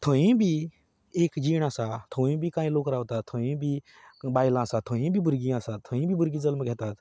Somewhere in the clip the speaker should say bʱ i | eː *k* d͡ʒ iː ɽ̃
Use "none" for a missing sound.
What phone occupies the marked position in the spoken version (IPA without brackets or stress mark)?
k